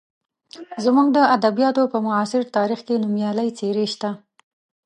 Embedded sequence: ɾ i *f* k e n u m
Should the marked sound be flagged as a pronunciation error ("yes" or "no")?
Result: yes